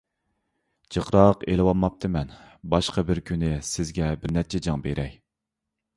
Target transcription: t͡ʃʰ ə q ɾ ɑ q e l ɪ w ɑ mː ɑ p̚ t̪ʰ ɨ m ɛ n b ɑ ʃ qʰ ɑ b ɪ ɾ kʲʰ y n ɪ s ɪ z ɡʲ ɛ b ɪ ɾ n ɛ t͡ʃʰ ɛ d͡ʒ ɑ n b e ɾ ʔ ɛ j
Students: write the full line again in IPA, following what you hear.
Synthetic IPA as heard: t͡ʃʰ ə q ɾ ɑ q e l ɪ w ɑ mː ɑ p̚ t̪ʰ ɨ m ɛ n b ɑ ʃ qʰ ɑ b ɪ ɾ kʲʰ y n ɪ s ɪ z ɡʲ ɛ b ɪ ɾ n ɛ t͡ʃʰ ɛ d͡ʒ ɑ ŋ b e ɾ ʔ ɛ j

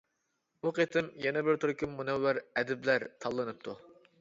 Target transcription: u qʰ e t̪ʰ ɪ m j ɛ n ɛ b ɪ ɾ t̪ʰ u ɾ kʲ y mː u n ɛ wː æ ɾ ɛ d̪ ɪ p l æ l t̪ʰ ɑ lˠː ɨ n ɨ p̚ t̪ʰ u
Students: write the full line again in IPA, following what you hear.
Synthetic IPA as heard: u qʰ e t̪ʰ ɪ m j ɛ n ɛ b ɪ ɾ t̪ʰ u ɾ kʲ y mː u n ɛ wː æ ɾ ɛ d̪ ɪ b l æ ɾ t̪ʰ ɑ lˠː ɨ n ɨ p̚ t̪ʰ u

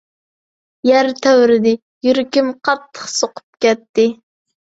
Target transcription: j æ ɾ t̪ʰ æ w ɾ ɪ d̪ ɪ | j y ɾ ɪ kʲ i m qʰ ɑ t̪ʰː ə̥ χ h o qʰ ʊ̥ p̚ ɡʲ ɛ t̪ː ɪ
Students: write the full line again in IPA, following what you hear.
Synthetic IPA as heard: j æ ɾ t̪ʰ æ w ɾ ɪ d̪ ɪ | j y ɾ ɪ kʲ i m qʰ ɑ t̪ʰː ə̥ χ s o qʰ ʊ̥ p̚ kʲ ɛ t̪ː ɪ

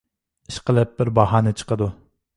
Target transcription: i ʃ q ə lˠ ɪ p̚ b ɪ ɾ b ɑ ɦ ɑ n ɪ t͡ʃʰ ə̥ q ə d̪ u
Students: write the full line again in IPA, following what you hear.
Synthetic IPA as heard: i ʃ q ə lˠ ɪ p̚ b ɪ ɾ b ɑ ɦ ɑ n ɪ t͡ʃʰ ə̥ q ə d̪ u

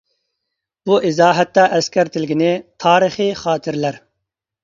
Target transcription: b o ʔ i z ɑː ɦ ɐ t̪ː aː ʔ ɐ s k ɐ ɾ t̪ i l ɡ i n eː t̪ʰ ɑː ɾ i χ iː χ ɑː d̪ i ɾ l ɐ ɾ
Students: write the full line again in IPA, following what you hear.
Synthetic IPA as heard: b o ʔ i z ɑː ɦ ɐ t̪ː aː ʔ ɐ s k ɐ ɾ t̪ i l ɡ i n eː t̪ʰ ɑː ɾ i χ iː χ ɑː t̪ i ɾ l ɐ ɾ

